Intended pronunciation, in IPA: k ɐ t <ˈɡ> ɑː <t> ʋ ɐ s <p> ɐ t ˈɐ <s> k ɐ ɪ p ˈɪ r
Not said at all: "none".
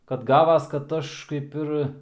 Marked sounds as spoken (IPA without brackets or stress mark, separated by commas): ɡ, none, k, ʃ